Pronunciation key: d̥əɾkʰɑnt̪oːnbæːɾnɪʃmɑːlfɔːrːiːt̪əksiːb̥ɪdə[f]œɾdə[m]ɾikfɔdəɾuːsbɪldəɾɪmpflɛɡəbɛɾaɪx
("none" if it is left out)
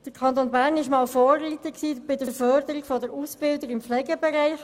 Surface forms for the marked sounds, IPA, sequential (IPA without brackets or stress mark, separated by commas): f, none